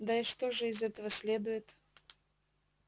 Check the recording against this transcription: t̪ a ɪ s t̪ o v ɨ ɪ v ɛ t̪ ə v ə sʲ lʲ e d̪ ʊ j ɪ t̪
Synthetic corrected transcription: d̪ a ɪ ʂ t̪ o ʐ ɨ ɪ z ɛ t̪ ə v ə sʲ lʲ e d̪ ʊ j ɪ t̪